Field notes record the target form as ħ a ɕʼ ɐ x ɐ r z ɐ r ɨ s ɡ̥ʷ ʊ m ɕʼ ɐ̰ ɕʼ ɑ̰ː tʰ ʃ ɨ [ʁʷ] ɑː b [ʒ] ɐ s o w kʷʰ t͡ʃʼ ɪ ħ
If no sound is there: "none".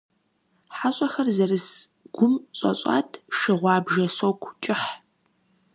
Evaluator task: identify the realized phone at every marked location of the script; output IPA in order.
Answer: ʁʷ, ʒ

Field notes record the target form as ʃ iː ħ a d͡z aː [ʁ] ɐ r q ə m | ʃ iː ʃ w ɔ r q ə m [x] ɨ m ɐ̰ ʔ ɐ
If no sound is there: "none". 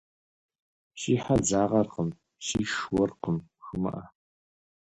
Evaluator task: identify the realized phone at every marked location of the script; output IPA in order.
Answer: ʁ, x

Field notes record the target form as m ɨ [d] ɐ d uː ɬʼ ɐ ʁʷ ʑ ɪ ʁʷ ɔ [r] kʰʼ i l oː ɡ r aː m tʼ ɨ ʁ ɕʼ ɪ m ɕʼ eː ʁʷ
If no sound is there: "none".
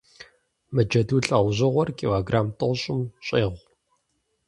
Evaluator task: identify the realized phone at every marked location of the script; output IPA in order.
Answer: d͡ʒ, r

